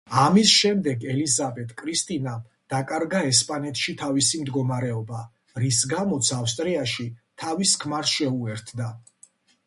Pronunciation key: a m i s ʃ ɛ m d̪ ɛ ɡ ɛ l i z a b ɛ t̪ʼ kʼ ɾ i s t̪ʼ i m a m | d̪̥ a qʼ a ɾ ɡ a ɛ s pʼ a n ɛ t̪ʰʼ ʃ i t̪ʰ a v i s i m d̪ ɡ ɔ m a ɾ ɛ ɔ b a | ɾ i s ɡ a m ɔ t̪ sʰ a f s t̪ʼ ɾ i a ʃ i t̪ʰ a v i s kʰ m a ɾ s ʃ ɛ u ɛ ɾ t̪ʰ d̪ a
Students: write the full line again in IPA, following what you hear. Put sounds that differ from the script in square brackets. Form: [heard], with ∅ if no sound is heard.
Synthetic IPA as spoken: a m i s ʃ ɛ m d̪ ɛ ɡ ɛ l i z a b ɛ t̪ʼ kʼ ɾ i s t̪ʼ i [n] a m | d̪̥ a [kʼ] a ɾ ɡ a ɛ s pʼ a n ɛ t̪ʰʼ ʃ i t̪ʰ a v i s i m d̪ ɡ ɔ m a ɾ ɛ ɔ b a | ɾ i s ɡ a m ɔ t̪ sʰ a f s t̪ʼ ɾ i a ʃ i t̪ʰ a v i s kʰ m a ɾ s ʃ ɛ u ɛ ɾ t̪ʰ d̪ a